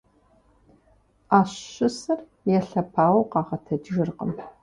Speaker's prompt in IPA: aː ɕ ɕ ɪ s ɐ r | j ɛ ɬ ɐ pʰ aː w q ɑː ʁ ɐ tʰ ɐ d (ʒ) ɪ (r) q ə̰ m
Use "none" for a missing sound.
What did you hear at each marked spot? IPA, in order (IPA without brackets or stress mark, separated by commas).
ʒ, r